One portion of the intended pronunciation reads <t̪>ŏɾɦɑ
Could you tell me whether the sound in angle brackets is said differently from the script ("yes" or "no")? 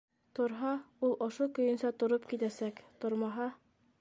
no